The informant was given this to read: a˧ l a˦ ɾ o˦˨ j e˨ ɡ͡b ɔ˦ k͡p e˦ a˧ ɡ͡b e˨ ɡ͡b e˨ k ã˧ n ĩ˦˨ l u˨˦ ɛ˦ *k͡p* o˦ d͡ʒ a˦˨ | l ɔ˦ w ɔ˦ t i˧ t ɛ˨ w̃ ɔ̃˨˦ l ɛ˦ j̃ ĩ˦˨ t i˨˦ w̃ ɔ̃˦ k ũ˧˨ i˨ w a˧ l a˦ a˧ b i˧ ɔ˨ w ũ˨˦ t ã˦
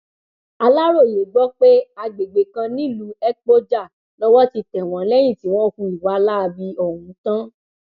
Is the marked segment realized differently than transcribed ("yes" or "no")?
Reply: no